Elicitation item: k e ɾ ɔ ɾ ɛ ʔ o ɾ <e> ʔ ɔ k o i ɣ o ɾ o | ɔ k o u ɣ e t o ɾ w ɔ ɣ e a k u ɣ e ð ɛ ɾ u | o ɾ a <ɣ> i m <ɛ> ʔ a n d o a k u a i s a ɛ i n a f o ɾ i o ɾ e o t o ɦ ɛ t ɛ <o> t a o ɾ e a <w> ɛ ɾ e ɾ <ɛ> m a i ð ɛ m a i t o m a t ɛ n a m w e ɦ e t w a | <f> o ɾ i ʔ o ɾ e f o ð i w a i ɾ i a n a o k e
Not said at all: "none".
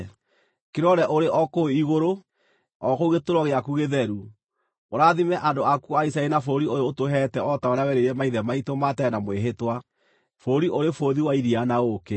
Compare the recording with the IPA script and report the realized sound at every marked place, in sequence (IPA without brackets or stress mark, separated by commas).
e, ð, ɛ, ɔ, w, ɛ, f